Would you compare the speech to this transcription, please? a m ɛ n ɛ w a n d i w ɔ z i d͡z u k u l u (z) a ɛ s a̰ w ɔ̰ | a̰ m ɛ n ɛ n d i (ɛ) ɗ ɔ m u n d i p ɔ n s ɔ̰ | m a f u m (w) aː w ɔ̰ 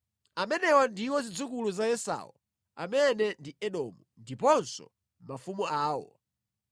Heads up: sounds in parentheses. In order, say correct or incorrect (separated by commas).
correct, correct, incorrect